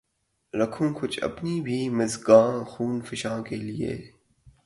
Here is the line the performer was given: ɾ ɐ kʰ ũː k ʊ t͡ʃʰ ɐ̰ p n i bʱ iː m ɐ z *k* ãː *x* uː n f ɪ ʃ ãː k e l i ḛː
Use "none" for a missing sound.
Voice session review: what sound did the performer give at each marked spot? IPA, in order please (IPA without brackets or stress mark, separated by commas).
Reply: ɡ, x